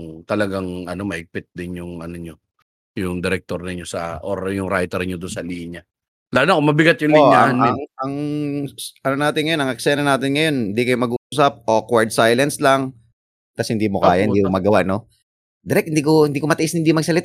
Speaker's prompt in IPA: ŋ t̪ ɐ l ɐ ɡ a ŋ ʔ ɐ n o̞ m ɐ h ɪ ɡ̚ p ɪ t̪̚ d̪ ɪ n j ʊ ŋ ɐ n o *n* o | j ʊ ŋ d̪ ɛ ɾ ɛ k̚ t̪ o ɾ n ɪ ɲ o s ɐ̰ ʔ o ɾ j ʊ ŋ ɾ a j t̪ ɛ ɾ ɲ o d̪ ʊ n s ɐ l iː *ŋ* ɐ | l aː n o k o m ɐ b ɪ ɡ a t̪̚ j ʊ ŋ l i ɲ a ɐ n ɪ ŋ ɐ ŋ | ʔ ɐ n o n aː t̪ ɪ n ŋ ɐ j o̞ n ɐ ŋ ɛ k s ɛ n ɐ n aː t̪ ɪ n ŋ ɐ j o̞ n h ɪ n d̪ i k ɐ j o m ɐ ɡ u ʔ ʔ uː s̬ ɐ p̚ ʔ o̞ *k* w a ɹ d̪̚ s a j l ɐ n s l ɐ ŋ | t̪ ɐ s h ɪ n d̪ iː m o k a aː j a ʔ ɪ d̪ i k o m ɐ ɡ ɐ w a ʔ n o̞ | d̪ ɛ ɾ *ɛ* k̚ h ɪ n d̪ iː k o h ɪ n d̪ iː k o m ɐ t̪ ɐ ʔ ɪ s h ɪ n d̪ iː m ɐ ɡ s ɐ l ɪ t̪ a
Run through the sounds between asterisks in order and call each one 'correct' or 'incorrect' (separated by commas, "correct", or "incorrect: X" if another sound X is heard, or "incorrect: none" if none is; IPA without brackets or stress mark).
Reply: incorrect: ɲ, incorrect: ɲ, correct, correct